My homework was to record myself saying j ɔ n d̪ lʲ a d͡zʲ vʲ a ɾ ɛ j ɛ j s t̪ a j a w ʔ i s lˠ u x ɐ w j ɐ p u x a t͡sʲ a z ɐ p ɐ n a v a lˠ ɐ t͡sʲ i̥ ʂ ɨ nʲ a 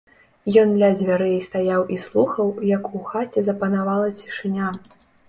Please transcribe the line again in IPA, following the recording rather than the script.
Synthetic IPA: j ɔ n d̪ lʲ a d͡zʲ vʲ a ɾ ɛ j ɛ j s t̪ a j a w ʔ i s lˠ u x ɐ w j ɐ k u x a t͡sʲ ɛ z ɐ p ɐ n a v a lˠ ɐ t͡sʲ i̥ ʂ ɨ nʲ a